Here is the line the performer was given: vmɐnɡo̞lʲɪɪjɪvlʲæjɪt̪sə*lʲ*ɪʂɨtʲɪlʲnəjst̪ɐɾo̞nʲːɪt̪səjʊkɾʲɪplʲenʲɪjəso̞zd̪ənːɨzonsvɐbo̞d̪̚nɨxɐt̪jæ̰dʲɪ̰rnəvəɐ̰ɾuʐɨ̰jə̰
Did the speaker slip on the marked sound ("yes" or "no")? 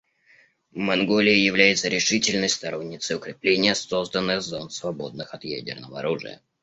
yes